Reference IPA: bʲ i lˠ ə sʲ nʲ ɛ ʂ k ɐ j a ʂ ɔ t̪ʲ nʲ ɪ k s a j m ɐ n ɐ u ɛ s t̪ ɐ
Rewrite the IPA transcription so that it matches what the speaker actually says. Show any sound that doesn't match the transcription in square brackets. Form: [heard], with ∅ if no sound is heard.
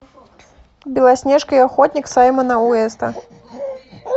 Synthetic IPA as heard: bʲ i lˠ [a] sʲ nʲ ɛ ʂ k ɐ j a [x] ɔ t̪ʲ nʲ [i] k s a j m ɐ n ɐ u ɛ s t̪ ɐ